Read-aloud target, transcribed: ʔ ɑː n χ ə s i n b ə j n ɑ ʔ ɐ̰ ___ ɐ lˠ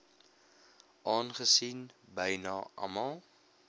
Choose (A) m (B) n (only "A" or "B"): A